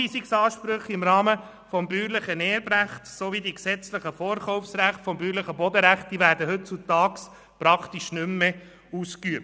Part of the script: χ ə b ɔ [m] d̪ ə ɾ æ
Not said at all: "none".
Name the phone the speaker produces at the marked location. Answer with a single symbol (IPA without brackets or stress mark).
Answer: none